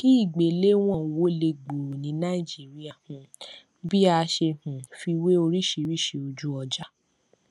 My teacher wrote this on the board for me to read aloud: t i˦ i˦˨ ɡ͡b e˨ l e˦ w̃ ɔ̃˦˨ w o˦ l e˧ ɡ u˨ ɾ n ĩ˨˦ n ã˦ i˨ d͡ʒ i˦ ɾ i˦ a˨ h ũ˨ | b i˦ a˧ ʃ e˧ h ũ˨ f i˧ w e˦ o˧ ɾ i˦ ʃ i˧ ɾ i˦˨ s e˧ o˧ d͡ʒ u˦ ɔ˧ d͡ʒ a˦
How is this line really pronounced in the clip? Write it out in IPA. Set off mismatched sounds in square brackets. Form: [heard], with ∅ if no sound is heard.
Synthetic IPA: [k] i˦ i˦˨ ɡ͡b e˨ l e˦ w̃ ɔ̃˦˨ w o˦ l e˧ [ɡ͡b] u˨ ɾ n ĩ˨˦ n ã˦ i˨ d͡ʒ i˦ ɾ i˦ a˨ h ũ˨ | b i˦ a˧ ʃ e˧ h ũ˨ f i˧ w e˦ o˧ ɾ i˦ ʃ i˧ ɾ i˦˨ [ʃ] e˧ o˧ d͡ʒ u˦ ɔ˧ d͡ʒ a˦